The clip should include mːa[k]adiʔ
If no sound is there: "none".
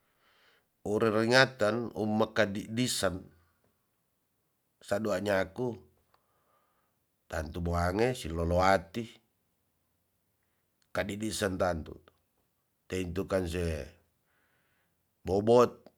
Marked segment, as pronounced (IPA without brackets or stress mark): k